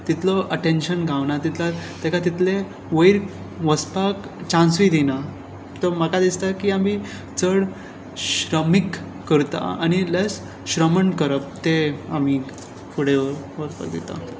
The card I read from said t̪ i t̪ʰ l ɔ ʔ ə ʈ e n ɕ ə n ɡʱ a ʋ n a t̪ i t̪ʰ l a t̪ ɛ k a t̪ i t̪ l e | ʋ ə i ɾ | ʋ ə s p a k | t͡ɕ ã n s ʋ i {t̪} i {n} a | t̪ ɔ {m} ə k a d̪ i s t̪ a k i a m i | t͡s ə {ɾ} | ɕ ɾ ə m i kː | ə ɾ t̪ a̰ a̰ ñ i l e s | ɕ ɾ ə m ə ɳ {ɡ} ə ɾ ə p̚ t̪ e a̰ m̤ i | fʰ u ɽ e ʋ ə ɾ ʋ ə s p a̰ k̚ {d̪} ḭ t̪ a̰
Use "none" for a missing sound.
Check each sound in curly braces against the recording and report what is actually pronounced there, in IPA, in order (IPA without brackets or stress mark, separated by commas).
d̪, n, m, ɽ, k, d̪